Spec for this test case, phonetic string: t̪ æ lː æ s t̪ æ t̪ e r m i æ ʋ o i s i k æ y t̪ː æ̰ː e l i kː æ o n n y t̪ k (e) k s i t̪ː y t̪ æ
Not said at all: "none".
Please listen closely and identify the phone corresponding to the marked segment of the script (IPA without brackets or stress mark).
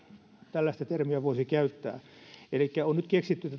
e